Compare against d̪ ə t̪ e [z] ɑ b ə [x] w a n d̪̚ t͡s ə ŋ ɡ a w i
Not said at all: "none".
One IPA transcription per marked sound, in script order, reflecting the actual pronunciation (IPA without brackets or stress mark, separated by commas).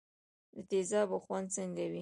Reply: z, x